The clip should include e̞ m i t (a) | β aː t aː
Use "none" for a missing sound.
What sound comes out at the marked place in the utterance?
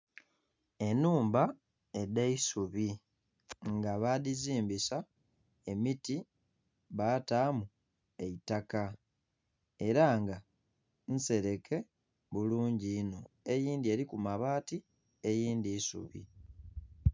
i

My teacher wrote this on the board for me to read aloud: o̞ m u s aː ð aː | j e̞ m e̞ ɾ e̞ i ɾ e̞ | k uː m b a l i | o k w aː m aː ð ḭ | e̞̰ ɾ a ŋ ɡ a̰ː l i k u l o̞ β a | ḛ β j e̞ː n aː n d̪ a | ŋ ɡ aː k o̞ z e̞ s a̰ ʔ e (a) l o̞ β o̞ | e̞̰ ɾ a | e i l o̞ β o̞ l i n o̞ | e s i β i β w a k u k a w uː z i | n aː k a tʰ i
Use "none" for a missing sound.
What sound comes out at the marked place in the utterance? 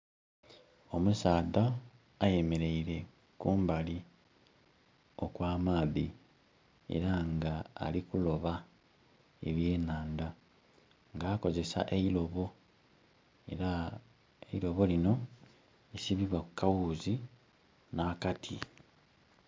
i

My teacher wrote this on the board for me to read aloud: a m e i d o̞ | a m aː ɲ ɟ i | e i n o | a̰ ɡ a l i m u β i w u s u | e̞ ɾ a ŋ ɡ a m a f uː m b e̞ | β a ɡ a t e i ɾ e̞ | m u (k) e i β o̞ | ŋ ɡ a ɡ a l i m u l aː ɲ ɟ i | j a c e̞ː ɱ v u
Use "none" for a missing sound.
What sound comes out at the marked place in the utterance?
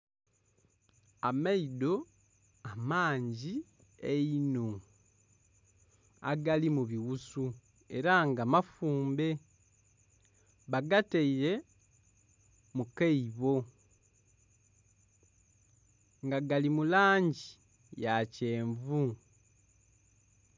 k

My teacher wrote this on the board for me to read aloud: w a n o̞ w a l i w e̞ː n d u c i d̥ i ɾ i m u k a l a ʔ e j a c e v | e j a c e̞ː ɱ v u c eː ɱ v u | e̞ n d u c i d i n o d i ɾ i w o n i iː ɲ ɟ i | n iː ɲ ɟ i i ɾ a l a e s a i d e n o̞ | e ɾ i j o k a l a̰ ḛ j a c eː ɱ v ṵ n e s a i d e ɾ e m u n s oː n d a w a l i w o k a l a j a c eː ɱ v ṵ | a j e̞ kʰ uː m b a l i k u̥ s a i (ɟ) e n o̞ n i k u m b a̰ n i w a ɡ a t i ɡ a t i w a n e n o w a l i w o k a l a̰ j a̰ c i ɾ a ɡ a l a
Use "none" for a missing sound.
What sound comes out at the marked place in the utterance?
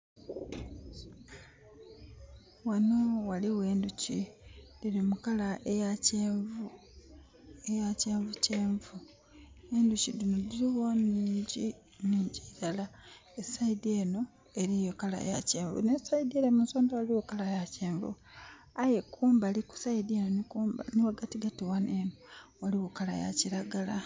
d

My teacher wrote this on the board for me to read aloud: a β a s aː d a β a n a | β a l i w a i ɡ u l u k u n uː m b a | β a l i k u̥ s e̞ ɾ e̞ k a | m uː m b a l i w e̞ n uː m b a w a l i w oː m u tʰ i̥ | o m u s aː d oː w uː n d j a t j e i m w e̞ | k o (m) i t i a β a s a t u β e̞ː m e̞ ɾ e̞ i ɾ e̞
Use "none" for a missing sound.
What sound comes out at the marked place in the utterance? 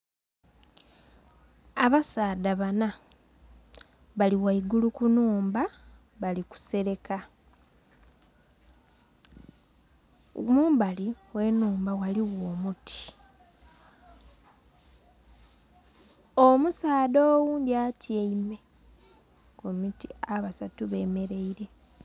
m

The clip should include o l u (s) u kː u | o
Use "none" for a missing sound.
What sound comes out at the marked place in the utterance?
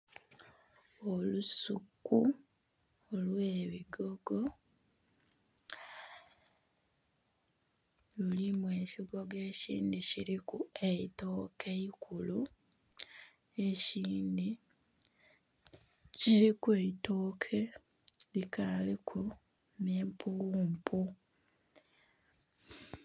s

